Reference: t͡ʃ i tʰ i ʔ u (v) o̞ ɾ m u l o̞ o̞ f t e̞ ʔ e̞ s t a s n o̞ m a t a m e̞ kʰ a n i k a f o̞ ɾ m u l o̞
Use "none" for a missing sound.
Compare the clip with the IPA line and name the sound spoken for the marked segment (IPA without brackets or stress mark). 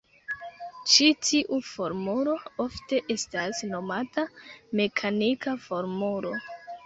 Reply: f